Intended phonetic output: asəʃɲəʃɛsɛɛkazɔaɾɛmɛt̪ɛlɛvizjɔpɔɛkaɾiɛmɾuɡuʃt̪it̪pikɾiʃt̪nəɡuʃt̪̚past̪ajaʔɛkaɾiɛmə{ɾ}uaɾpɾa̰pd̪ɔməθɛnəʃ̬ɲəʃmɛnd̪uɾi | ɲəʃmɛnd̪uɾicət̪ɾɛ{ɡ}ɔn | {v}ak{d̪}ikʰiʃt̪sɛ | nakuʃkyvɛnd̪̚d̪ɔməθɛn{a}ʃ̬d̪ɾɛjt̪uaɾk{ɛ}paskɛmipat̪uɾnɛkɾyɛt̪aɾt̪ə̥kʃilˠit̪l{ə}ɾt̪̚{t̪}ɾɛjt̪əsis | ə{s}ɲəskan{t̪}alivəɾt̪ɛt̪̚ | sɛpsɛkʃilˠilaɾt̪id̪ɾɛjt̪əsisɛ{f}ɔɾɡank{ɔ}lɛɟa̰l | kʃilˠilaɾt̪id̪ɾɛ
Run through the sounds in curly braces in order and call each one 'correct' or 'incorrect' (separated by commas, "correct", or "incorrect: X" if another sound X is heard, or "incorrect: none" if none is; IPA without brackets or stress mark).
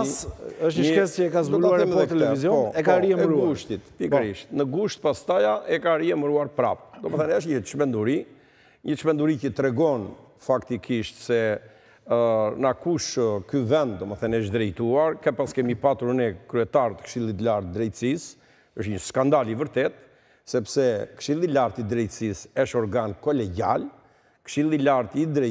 correct, correct, incorrect: f, incorrect: t̪, incorrect: ɛ, correct, incorrect: a, incorrect: d̪, incorrect: ʃ, incorrect: d̪, incorrect: ʃ, correct